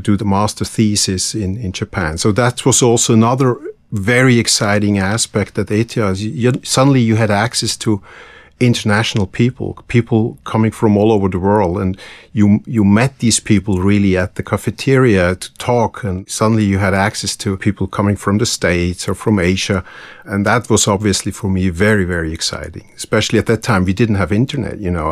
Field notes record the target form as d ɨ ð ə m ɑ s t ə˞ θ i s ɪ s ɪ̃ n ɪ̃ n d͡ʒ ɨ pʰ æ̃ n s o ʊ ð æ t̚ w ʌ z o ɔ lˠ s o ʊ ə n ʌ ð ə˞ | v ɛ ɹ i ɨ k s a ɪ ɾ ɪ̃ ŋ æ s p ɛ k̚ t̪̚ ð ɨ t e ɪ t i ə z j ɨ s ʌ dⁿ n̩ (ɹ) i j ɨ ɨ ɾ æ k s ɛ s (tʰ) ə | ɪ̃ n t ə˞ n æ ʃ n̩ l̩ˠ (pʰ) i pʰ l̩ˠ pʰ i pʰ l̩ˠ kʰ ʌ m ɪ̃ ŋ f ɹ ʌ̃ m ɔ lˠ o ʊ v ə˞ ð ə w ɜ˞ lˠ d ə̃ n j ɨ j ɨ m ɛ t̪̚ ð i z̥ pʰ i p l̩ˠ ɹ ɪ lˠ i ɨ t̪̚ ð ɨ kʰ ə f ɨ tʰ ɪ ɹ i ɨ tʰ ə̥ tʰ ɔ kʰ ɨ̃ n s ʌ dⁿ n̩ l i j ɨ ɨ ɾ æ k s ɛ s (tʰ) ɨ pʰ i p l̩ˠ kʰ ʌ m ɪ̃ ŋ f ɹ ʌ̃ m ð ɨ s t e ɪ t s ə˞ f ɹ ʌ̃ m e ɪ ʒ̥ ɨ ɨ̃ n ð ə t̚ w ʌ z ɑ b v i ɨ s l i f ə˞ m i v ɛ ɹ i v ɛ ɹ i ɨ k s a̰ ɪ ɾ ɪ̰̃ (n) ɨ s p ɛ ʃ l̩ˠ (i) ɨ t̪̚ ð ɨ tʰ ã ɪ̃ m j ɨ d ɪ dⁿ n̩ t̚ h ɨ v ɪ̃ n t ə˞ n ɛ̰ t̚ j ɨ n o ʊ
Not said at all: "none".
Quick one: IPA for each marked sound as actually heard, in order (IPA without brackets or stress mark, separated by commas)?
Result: l, tʰ, pʰ, tʰ, ŋ, i